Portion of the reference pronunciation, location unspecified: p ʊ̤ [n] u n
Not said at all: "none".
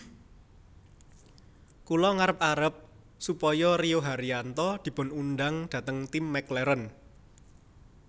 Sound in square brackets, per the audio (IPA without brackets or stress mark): n